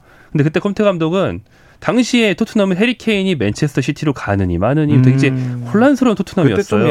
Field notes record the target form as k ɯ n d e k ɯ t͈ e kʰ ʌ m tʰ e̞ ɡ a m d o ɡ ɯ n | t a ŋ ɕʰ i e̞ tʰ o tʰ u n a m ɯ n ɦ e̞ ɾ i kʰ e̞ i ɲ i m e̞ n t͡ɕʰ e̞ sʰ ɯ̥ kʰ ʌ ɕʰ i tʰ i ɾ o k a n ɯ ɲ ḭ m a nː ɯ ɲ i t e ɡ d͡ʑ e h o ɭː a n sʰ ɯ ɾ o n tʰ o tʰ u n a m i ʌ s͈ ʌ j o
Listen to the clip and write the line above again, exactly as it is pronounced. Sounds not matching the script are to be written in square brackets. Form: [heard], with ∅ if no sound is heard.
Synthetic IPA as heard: k ɯ n d e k ɯ t͈ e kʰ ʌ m tʰ e̞ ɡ a m d o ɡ ɯ n | t a ŋ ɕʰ i e̞ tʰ o tʰ u n a m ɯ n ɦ e̞ ɾ i kʰ e̞ i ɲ i m e̞ n t͡ɕʰ e̞ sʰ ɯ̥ [tʰ] ʌ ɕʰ i tʰ i ɾ o k a n ɯ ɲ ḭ m a [n] ɯ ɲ i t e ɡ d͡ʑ e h o ɭː a n sʰ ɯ ɾ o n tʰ o tʰ u n a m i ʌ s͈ ʌ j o